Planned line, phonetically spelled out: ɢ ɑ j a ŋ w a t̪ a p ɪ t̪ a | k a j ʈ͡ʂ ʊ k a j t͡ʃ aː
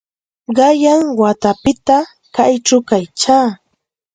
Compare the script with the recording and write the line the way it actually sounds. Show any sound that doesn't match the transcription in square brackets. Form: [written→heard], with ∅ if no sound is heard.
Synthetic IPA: ɢ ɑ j a ŋ w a t̪ a p ɪ t̪ a | k a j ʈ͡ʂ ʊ k a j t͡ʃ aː